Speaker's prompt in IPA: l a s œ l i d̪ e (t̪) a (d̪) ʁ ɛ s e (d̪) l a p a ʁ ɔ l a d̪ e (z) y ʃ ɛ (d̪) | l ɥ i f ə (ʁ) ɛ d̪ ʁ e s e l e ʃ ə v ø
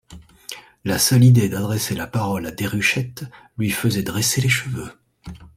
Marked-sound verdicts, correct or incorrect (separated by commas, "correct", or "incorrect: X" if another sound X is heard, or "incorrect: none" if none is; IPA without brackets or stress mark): incorrect: d̪, correct, incorrect: none, incorrect: ʁ, incorrect: t̪, incorrect: z